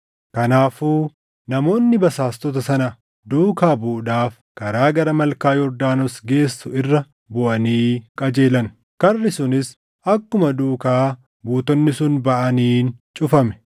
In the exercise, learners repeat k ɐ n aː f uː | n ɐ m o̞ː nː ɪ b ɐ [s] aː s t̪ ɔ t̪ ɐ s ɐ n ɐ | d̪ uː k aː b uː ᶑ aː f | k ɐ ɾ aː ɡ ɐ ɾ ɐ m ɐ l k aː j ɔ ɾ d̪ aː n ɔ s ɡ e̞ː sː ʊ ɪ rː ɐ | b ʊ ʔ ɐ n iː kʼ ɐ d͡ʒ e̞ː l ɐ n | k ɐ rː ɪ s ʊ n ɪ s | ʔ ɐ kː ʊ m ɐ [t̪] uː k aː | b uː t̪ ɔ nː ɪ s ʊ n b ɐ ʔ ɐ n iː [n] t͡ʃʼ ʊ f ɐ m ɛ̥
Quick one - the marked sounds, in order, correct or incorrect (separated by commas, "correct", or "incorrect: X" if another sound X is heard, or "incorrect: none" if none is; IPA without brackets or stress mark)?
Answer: correct, incorrect: d̪, correct